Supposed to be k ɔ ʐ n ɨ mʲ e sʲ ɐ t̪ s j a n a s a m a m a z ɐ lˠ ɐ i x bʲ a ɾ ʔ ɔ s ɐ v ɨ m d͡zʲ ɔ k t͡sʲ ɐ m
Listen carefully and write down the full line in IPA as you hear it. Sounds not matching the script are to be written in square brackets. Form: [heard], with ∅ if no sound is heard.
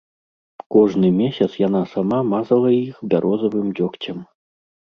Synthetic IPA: k ɔ ʐ n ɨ mʲ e sʲ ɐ t̪ s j a n a s a m a m a z ɐ lˠ ɐ i x bʲ a ɾ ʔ ɔ [z] ɐ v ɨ m d͡zʲ ɔ k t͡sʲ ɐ m